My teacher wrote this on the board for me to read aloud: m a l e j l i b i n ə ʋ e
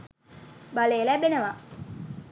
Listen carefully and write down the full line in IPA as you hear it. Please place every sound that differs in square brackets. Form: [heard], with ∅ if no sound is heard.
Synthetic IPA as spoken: [b] a l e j l [æ] b [e] n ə ʋ [a]